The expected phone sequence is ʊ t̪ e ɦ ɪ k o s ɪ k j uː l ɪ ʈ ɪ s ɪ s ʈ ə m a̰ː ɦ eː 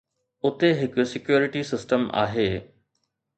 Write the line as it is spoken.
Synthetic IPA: ʊ t̪ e ɦ ɪ k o s ɪ k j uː ɾ ɪ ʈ i s ɪ s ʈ ə m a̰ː ɦ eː